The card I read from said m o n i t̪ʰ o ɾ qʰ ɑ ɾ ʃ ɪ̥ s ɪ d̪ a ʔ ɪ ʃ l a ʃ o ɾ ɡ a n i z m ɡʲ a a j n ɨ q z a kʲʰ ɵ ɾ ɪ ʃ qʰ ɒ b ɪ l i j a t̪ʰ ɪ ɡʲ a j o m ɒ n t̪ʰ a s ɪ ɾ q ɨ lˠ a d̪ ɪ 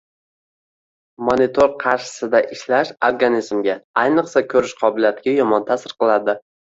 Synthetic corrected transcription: m o n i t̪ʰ o ɾ qʰ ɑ ɾ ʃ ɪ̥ s ɪ d̪ a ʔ ɪ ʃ l a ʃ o ɾ ɡ a n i z m ɡʲ a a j n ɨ q s a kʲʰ ɵ ɾ ɪ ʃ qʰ ɒ b ɪ l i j a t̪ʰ ɪ ɡʲ a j ɒ m ɒ n t̪ʰ a s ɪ ɾ q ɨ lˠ a d̪ ɪ

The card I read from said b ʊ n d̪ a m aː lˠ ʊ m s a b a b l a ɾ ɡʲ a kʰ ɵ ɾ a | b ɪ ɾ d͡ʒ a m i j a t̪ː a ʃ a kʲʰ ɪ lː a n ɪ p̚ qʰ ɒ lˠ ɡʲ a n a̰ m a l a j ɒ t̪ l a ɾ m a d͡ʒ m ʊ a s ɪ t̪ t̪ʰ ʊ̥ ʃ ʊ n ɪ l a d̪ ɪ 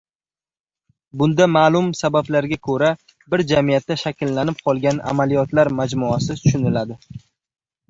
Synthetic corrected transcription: b ʊ n d̪ a m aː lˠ ʊ m s a b a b l a ɾ ɡʲ a kʰ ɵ ɾ a | b ɪ ɾ d͡ʒ a m i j a t̪ː a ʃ a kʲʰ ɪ lː a n ɪ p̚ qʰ ɒ lˠ ɡʲ a n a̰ m a l i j ɒ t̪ l a ɾ m a d͡ʒ m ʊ a s ɪ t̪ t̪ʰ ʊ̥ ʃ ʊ n ɪ l a d̪ ɪ

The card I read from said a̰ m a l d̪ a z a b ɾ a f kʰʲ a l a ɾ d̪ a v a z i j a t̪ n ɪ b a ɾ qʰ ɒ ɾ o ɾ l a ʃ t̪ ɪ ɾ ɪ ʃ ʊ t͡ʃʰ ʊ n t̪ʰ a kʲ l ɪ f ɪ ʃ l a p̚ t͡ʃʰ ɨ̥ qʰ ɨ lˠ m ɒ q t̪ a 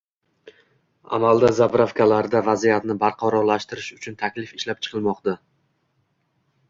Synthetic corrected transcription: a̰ m a l d̪ a z a b ɾ a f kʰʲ a l a ɾ d̪ a v a z i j a t̪ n ɪ b a ɾ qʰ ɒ ɾ ɒ ɾ l a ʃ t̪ ɪ ɾ ɪ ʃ ʊ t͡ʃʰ ʊ n t̪ʰ a kʲ l ɪ f ɪ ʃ l a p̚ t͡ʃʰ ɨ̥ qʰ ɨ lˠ m ɒ q t̪ a

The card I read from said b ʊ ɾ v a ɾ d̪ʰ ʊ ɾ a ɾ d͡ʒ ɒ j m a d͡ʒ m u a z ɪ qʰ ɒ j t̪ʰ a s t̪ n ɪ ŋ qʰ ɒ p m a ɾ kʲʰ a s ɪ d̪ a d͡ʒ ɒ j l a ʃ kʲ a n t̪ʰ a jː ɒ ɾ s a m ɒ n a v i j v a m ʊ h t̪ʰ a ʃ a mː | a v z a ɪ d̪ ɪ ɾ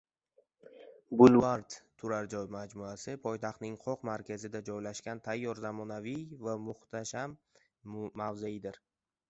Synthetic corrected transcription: b ʊ l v a ɾ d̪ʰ ʊ ɾ a ɾ d͡ʒ ɒ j m a d͡ʒ m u a s ɪ pʰ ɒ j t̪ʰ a χ t̪ n ɪ ŋ qʰ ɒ q m a ɾ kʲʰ a z ɪ d̪ a d͡ʒ ɒ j l a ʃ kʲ a n t̪ʰ a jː ɒ ɾ z a m ɒ n a v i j v a m ʊ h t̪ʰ a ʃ a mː | a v z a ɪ d̪ ɪ ɾ

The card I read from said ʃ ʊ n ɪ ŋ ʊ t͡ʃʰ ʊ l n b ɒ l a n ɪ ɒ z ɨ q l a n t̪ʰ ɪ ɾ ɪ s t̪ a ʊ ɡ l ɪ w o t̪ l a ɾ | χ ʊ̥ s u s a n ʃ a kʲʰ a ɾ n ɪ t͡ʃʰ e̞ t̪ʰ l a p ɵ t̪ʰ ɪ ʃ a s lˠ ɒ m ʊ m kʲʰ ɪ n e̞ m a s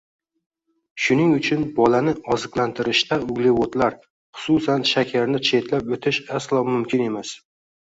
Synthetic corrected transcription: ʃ ʊ n ɪ ŋ ʊ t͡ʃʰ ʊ n b ɒ l a n ɪ ɒ z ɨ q l a n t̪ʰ ɪ ɾ ɪ ʃ t̪ a ʊ ɡ l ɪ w o t̪ l a ɾ | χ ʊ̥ s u s a n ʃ a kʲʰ a ɾ n ɪ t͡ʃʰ e̞ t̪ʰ l a p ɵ t̪ʰ ɪ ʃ a s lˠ ɒ m ʊ m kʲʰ ɪ n e̞ m a s

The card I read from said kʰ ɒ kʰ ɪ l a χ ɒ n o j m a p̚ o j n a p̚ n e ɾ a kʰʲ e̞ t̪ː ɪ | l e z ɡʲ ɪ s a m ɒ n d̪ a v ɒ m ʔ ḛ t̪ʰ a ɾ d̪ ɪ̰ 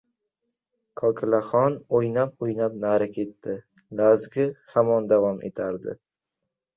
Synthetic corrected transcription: kʰ ɒ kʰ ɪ l a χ ɒ n o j n a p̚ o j n a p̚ n a ɾ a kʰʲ e̞ t̪ː ɪ | l a z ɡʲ ɪ h a m ɒ n d̪ a v ɒ m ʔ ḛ t̪ʰ a ɾ d̪ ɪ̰

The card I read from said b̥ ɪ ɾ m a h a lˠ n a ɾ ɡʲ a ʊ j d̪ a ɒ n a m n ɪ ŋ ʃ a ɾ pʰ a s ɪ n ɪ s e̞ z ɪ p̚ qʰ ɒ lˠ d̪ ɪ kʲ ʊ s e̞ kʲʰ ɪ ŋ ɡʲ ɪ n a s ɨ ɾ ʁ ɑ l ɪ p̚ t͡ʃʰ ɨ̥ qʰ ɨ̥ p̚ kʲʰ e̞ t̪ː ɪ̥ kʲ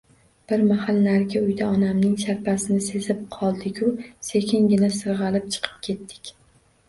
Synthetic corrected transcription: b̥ ɪ ɾ m a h a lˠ n a ɾ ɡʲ a ʊ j d̪ a ɒ n a m n ɪ ŋ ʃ a ɾ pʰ a s ɪ n ɪ s e̞ z ɪ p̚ qʰ ɒ lˠ d̪ ɪ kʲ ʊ s e̞ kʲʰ ɪ ŋ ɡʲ ɪ n a s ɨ ɾ ʁ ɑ l ɪ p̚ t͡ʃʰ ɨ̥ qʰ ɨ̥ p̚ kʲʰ e̞ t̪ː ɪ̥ kʲ

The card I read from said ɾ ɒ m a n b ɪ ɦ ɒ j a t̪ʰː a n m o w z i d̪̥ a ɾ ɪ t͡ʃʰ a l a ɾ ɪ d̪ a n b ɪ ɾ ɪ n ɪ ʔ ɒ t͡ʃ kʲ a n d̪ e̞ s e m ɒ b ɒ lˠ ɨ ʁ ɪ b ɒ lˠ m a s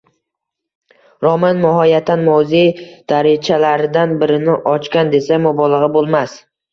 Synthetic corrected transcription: ɾ ɒ m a n m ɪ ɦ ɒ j a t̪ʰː a n m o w z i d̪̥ a ɾ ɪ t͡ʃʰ a l a ɾ ɪ d̪ a n b ɪ ɾ ɪ n ɪ ʔ ɒ t͡ʃ kʲ a n d̪ e̞ s a m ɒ b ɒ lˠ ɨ ʁ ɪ b o lˠ m a s

